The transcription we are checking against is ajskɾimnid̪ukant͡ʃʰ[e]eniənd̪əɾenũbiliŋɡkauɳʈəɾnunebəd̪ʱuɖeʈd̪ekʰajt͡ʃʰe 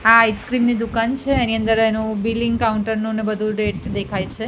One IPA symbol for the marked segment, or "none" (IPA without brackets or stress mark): e